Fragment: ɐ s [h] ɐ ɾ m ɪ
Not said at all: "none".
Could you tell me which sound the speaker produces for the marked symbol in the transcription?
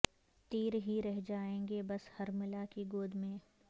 h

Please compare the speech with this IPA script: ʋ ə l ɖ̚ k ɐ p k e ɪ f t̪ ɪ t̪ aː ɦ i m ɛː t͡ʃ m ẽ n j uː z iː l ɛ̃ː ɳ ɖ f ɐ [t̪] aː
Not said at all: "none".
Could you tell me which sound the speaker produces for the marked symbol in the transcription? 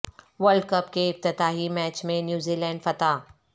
t̪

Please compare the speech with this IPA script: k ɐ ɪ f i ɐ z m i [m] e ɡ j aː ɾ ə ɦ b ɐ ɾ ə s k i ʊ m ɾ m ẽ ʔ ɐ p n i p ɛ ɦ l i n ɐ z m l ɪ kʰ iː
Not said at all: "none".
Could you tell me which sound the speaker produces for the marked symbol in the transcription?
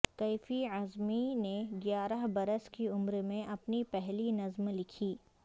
n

